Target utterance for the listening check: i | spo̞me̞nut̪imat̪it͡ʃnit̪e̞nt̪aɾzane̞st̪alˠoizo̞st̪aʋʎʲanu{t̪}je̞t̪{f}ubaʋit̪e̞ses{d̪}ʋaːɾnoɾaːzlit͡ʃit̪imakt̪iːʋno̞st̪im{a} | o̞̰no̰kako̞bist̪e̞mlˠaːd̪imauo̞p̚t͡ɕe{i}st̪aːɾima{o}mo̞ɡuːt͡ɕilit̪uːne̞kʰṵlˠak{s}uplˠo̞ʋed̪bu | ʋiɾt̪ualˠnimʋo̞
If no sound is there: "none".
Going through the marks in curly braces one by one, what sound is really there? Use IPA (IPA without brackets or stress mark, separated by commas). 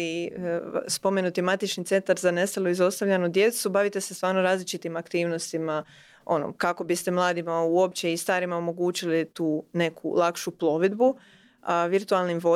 d̪, s, t̪, a, i, o, ʃ